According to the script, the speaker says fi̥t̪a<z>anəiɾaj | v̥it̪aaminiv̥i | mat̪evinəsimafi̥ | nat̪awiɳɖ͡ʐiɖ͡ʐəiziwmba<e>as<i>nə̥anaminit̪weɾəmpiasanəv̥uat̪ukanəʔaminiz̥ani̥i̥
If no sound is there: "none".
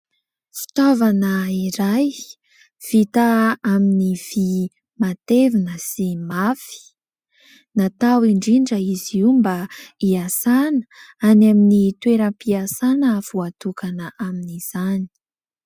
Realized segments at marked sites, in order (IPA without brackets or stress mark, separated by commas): v, i, a